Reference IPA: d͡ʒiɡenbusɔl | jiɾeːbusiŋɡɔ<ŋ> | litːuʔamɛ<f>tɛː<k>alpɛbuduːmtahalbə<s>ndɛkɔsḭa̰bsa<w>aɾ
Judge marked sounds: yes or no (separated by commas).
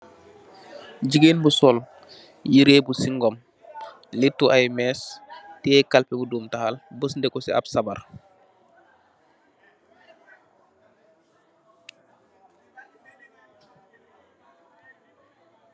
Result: no, no, yes, yes, no